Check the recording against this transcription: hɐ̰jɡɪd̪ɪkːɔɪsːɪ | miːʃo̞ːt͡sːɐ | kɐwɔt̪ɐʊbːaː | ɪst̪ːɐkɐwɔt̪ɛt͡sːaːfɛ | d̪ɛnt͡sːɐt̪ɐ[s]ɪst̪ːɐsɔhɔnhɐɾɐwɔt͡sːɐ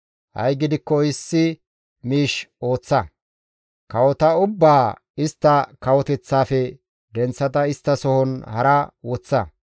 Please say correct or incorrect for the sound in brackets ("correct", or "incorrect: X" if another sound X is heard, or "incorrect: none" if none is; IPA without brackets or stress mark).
incorrect: none